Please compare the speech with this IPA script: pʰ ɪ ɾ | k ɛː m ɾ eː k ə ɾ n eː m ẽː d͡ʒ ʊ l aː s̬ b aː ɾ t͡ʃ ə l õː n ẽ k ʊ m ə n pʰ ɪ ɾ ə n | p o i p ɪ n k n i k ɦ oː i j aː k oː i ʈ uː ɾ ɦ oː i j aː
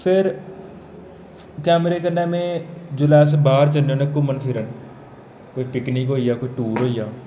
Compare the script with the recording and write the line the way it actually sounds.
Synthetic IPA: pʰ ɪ ɾ | k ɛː m ɾ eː k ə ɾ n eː m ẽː d͡ʒ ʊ l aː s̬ b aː ɾ t͡ʃ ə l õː n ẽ k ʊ m ə n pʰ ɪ ɾ ə n | k o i p ɪ k n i k ɦ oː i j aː k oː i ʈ uː ɾ ɦ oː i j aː